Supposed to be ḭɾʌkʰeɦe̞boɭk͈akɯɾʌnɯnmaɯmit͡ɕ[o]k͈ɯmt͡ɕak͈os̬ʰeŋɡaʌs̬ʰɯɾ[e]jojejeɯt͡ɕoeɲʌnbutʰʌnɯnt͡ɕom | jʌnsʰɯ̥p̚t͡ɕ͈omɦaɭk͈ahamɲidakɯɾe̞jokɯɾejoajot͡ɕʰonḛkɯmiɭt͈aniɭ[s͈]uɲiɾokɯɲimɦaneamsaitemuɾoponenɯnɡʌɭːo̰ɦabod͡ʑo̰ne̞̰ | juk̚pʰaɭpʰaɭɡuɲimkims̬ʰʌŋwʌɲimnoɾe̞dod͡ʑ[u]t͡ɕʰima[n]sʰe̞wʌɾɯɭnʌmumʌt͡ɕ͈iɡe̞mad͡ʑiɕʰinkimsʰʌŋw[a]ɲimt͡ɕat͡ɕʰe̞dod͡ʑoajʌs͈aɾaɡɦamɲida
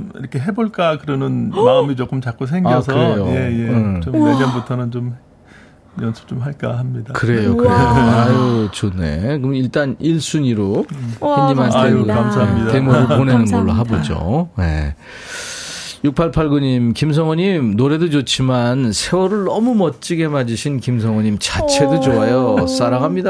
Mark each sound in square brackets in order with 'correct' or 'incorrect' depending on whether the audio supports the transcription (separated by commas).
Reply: correct, correct, correct, incorrect, correct, incorrect